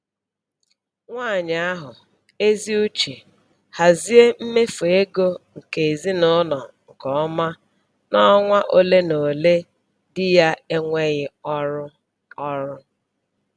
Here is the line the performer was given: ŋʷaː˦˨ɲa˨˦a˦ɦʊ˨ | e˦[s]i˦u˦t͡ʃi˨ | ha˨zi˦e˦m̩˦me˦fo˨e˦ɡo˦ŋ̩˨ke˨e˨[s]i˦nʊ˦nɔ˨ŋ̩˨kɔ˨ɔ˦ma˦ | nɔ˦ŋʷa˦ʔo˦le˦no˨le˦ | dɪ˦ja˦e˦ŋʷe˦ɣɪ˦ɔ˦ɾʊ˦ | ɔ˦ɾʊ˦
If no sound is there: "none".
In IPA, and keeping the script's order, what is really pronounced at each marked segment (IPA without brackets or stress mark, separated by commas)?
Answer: z, z